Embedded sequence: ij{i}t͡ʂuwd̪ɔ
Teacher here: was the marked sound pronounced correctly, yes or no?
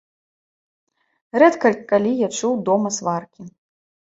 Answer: no